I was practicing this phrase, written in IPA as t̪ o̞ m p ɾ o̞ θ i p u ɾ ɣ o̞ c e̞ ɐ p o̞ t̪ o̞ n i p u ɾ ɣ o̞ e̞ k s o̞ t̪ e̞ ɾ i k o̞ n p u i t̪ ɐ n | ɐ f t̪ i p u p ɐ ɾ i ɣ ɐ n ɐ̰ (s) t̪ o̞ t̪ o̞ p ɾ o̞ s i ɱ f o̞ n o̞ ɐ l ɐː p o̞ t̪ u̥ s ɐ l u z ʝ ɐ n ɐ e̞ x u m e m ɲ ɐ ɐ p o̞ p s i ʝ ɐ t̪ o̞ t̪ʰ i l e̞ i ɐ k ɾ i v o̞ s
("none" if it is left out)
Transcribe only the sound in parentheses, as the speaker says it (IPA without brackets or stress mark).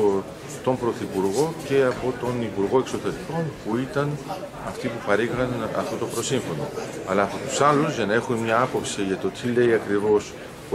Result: f